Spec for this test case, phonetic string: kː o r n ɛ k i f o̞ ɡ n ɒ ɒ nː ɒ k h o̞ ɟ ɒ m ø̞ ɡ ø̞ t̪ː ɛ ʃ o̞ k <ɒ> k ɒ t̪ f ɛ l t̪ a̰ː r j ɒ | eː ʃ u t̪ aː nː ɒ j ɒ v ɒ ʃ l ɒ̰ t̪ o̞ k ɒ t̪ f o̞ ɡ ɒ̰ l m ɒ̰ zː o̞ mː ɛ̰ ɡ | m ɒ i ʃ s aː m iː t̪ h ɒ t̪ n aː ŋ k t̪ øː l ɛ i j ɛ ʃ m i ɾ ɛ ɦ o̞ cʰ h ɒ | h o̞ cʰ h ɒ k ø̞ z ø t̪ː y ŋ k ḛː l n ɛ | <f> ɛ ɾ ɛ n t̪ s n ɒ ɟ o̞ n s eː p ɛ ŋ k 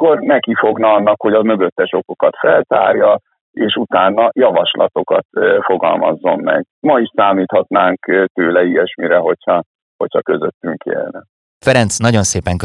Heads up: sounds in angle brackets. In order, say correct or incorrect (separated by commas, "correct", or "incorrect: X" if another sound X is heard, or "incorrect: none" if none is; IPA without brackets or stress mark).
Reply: incorrect: o, correct